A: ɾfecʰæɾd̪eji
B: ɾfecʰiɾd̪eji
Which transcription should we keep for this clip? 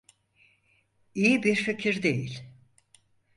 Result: B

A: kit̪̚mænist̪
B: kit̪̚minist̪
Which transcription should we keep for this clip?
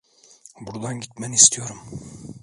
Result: A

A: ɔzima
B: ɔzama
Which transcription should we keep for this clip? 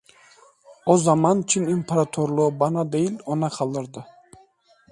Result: B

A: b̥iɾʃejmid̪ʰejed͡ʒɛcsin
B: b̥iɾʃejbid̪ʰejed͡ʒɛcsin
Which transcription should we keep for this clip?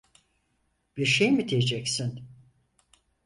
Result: A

